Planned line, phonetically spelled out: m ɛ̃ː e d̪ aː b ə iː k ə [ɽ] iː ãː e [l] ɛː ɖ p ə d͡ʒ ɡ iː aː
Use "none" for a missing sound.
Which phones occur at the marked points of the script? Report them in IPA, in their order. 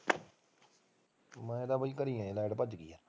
ɾ, l

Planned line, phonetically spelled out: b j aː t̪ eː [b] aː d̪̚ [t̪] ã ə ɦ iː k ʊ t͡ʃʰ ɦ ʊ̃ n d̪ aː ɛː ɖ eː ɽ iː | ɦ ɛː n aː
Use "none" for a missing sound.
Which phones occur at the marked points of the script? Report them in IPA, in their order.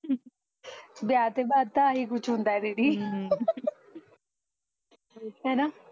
b, t̪

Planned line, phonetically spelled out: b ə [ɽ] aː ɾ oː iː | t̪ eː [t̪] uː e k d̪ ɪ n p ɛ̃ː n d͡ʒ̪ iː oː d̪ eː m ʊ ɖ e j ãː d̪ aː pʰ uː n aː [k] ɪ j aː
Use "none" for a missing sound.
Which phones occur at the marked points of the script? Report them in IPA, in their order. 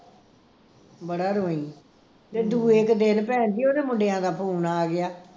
ɽ, d̪, ɡ

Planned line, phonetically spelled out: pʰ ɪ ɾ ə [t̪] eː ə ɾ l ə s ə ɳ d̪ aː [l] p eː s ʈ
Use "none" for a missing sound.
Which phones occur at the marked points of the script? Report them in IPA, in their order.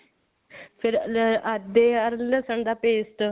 d̪, none

